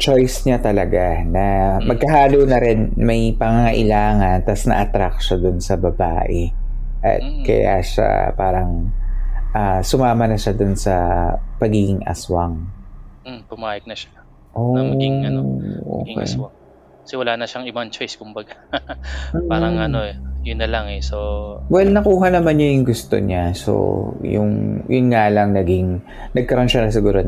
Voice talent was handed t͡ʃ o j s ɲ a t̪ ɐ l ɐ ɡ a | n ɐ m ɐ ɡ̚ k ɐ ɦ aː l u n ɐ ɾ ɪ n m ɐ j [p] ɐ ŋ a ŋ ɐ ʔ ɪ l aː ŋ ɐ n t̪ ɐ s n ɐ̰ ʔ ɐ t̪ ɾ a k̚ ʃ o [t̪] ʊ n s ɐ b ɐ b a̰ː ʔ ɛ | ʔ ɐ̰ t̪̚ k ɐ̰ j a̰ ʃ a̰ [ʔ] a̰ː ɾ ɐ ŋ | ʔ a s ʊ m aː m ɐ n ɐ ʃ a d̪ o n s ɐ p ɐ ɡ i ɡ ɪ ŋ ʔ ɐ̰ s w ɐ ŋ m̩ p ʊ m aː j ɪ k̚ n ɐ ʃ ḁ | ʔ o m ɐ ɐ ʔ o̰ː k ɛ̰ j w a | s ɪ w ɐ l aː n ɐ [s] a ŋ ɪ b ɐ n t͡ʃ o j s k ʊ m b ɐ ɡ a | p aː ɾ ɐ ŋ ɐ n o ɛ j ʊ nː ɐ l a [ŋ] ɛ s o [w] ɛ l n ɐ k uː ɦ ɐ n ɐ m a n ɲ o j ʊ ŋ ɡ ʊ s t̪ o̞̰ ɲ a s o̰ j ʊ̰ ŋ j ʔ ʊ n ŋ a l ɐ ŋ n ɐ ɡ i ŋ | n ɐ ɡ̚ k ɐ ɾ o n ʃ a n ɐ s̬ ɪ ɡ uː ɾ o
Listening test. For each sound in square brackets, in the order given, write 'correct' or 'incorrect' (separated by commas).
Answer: correct, incorrect, incorrect, incorrect, correct, correct